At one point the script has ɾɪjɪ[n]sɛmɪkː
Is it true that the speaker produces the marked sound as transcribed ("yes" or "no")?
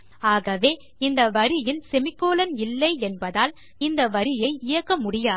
yes